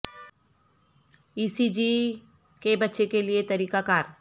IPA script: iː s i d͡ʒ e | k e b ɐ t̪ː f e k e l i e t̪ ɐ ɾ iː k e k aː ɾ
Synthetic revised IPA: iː s i d͡ʒ i | k e b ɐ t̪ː ʃ e k e l i e t̪ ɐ ɾ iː k a k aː ɾ